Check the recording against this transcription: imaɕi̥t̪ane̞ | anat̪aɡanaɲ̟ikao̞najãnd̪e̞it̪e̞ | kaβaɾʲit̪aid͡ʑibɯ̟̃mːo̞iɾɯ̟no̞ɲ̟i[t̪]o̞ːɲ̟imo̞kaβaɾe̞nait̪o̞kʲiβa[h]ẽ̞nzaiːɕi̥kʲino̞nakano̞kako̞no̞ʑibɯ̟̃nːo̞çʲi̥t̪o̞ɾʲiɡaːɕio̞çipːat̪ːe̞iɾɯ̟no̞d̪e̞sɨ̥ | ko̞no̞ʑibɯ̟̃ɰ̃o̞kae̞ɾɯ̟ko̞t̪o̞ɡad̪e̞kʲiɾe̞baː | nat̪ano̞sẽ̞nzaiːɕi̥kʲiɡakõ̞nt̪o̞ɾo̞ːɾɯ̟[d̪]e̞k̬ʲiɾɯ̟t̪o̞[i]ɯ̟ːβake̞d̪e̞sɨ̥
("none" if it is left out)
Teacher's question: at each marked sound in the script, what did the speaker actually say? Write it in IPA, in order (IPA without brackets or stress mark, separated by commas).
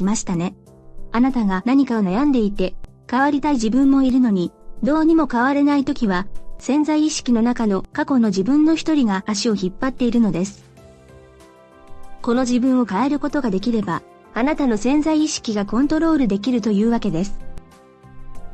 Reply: d̪, s, d̪, j